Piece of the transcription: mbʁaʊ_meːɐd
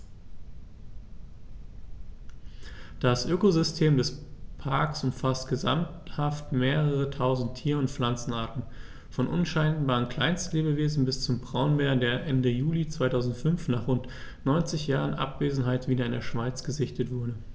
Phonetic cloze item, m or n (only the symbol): n